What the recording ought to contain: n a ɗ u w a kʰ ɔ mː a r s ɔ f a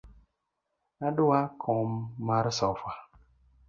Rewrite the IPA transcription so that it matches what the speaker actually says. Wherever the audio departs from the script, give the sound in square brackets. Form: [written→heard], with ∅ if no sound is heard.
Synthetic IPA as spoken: n a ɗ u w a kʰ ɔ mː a [r→ɾ] s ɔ f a